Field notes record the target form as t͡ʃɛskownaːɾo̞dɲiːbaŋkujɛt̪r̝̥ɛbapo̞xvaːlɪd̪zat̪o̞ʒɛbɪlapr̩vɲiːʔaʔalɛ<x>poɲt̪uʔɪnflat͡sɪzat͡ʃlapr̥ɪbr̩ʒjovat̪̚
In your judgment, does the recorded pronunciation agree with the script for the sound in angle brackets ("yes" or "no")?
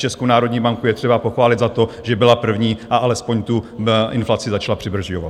no